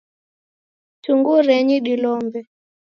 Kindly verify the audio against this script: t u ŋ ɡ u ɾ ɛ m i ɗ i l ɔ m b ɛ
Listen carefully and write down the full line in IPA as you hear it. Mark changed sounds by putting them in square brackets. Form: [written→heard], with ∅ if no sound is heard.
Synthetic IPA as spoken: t u ŋ ɡ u ɾ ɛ [m→ɲ] i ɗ i l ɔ m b ɛ